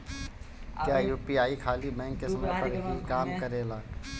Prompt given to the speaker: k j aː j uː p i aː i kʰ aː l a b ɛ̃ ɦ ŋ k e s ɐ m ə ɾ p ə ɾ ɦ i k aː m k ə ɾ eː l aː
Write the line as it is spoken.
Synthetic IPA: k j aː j uː p i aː i kʰ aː l i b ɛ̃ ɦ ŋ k e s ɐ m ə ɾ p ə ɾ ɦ i k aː m k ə ɾ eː l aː